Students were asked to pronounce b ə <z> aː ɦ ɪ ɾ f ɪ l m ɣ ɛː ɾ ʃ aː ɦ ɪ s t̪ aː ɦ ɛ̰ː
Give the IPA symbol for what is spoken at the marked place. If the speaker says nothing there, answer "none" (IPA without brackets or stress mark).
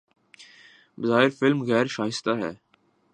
z